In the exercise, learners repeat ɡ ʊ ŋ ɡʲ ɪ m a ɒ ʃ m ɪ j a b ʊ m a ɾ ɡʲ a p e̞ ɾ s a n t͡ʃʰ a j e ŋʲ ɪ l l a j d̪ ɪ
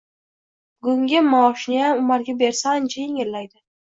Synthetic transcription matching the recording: ɡ ʊ ŋ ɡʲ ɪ m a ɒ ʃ n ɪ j a m ʊ m a ɾ ɡʲ a b e̞ ɾ s a n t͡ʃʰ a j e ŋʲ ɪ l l a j d̪ ɪ